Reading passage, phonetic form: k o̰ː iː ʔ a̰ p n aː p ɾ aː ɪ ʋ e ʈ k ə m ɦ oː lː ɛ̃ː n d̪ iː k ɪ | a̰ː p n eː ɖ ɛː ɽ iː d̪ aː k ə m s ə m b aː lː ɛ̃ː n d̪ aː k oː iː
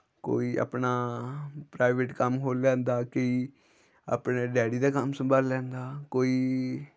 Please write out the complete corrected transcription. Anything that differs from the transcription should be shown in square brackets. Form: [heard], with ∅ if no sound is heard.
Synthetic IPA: k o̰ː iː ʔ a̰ p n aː p ɾ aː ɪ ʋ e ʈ k ə m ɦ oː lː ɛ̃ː n d̪ [aː] k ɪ | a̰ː p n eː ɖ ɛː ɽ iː d̪ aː k ə m s ə m b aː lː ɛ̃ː n d̪ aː k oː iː